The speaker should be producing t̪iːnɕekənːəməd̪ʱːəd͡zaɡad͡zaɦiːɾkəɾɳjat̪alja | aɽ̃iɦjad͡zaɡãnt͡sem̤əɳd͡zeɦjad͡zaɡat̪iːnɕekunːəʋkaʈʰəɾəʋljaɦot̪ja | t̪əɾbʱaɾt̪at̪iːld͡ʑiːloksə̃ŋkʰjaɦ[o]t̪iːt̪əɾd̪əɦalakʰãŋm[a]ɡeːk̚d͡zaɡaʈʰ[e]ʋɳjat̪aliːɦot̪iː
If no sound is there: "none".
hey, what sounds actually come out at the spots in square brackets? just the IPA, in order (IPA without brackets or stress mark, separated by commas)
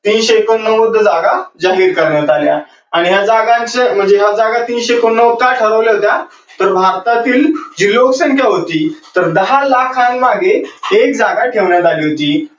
o, a, e